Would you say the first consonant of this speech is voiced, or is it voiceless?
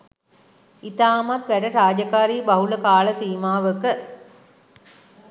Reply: voiceless